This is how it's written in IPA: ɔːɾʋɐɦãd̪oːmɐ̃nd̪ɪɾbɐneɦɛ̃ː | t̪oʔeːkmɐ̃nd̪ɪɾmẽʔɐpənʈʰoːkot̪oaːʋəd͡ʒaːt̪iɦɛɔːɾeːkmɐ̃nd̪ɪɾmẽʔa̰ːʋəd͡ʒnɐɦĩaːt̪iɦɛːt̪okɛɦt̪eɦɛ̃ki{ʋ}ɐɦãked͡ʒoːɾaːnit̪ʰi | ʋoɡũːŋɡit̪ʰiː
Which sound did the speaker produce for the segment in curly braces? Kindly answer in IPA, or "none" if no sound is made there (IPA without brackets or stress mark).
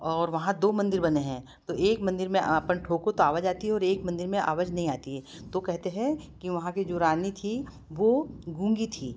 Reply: ʋ